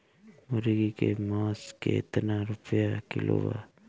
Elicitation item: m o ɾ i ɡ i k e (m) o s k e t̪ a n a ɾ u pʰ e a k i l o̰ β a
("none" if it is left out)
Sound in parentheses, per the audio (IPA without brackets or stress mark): m